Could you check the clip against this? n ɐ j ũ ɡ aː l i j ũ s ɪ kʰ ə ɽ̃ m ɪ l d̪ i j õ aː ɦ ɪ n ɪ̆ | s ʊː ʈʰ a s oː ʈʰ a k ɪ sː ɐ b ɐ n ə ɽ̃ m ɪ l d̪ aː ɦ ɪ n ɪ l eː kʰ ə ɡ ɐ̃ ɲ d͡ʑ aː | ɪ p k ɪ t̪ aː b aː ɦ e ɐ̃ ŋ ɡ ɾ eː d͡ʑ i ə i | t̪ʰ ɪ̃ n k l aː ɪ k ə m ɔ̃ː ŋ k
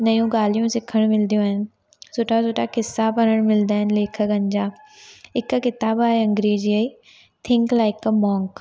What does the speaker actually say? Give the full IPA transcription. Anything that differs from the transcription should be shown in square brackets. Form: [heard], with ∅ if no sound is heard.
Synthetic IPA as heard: n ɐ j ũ ɡ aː l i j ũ s ɪ kʰ ə ɽ̃ m ɪ l d̪ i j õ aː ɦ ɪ n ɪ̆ | s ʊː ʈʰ a s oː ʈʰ a k ɪ sː [a] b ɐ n ə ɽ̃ m ɪ l d̪ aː ɦ ɪ n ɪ l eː kʰ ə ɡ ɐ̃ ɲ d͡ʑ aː | ɪ [k] k ɪ t̪ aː b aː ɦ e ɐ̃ ŋ ɡ ɾ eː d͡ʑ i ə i | t̪ʰ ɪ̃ [ŋ] k l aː ɪ k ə m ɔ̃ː ŋ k